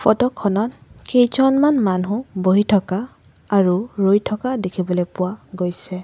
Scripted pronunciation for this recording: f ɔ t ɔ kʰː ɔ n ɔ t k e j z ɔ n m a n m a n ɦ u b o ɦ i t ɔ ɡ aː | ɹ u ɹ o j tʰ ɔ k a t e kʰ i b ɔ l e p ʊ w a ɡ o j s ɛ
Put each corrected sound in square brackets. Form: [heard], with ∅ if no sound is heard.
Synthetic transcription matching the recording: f ɔ t ɔ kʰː ɔ n ɔ t k e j z ɔ n m a n m a n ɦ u b o ɦ i [tʰ] ɔ [k] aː | ɹ u ɹ o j tʰ ɔ k a [d] e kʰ i b ɔ l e p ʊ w a ɡ o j s ɛ